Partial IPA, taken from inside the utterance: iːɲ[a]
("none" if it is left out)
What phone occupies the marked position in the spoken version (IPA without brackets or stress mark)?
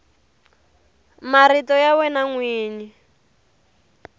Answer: i